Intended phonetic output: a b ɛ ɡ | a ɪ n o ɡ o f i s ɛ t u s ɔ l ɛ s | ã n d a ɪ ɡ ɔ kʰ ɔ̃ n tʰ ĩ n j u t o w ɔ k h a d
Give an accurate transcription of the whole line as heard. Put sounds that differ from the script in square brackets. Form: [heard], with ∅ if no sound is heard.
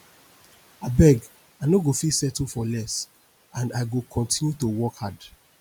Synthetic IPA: a b ɛ ɡ | a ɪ n o ɡ o f i s ɛ t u [f] ɔ l ɛ s | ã n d a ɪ ɡ [o] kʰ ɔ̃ n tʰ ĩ n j u t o w ɔ k h a d